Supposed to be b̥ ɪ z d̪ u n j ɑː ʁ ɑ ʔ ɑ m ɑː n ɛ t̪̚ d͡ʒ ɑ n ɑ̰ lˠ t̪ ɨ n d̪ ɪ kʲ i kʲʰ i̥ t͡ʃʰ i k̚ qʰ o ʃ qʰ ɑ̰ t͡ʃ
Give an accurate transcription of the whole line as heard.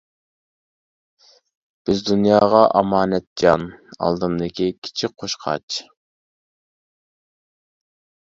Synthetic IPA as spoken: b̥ ɪ z d̪ u n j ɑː ʁ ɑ ʔ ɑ m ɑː n ɛ t̪̚ d͡ʒ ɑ n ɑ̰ lˠ d̪ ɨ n d̪ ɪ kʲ i kʲʰ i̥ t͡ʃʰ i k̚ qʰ o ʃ qʰ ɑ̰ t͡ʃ